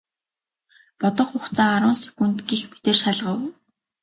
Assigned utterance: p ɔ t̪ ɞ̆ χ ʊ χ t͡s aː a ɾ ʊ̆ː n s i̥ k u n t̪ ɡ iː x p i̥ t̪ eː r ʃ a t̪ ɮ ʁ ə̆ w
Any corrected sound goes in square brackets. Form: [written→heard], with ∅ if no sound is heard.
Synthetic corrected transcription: p ɔ t̪ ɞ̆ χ ʊ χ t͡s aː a ɾ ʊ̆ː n s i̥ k u n t̪ ɡ iː x p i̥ t̪ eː r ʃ a [t̪→∅] ɮ ʁ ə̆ w

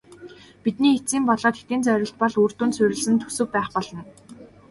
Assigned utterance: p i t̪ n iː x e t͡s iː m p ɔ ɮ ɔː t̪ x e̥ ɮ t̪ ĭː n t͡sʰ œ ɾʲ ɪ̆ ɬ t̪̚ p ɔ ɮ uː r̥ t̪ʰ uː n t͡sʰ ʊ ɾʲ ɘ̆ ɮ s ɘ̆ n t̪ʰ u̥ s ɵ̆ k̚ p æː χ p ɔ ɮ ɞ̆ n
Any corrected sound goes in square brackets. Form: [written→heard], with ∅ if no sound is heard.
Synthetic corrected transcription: p i t̪ n iː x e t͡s iː m p ɔ ɮ ɔː t̪ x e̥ [ɮ→∅] t̪ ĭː n [t͡sʰ→t͡s] œ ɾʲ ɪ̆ ɬ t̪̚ p ɔ ɮ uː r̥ [t̪ʰ→t̪] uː n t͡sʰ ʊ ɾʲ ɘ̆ ɮ s ɘ̆ n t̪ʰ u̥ s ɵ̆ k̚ p æː χ p ɔ ɮ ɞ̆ n

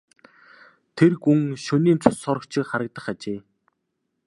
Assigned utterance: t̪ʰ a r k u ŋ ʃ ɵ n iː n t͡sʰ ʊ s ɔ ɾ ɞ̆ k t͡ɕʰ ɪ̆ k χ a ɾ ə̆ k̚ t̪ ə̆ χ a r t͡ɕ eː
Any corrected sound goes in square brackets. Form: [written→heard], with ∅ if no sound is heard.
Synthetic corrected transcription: t̪ʰ [a→e] r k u ŋ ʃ ɵ n iː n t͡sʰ ʊ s ɔ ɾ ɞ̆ k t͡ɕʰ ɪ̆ k χ a ɾ ə̆ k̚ t̪ ə̆ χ a [r→∅] t͡ɕ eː

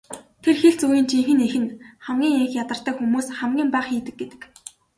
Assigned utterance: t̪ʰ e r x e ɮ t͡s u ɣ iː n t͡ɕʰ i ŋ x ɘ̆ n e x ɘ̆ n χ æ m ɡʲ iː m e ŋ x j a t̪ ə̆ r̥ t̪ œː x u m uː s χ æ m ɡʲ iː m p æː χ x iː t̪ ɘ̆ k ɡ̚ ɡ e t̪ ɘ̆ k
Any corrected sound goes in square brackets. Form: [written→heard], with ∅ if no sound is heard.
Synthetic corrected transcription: t̪ʰ e r x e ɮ t͡s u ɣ iː n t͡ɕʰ i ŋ x ɘ̆ n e x ɘ̆ n χ æ m ɡʲ iː [m→ŋ] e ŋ x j a t̪ ə̆ r̥ t̪ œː x u m uː s χ æ m ɡʲ iː m p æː χ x iː t̪ ɘ̆ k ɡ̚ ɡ e t̪ ɘ̆ k

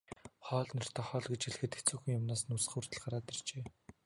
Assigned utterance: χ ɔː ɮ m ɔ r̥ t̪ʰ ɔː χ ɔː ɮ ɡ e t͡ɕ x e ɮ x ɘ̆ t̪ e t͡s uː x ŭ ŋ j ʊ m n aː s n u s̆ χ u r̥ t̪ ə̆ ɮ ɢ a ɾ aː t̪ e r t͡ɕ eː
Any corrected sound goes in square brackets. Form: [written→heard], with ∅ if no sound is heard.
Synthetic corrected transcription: χ ɔː ɮ [m→n] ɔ r̥ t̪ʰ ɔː χ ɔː ɮ ɡ e t͡ɕ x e ɮ x ɘ̆ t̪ e t͡s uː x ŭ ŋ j ʊ m n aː s n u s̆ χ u r̥ t̪ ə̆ ɮ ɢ a ɾ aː t̪ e r t͡ɕ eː

